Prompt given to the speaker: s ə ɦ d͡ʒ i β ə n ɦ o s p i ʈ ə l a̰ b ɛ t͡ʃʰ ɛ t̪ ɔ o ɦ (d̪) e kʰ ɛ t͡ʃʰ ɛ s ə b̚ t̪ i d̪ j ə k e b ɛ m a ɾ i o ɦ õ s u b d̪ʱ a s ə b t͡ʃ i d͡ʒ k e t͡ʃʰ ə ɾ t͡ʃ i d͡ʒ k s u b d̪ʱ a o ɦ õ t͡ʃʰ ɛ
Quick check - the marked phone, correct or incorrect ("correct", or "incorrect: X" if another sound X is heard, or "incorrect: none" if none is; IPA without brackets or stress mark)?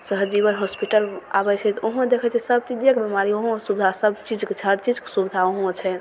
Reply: correct